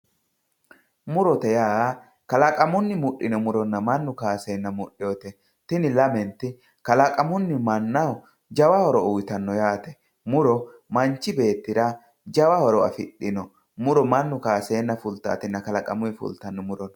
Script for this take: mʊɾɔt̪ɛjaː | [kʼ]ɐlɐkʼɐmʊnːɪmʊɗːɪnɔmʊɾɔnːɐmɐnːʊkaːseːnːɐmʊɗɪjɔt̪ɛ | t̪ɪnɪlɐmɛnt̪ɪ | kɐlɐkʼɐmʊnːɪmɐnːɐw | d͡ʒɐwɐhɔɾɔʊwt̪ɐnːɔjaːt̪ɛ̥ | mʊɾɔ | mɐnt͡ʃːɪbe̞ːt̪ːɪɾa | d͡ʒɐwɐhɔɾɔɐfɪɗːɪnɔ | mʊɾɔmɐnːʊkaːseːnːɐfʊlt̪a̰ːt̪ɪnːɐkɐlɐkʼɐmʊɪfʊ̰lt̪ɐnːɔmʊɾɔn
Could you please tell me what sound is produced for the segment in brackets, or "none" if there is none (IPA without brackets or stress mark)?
k